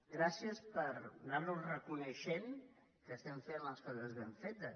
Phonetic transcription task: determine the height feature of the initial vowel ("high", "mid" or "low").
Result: low